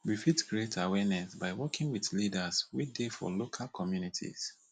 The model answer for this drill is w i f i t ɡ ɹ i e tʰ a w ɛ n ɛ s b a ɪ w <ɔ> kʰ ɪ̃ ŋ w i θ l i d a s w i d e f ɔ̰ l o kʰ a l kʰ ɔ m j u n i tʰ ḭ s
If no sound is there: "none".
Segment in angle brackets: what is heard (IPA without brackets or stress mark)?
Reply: ɔ